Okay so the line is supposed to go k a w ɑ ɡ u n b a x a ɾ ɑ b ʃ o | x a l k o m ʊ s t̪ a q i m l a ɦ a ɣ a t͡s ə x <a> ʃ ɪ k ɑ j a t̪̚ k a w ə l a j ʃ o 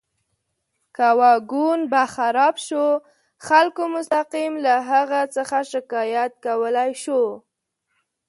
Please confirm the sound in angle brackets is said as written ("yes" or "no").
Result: yes